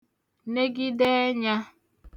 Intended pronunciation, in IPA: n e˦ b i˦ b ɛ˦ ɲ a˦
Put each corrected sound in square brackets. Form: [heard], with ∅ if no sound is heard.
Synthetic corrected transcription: n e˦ [ɡ] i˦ [d] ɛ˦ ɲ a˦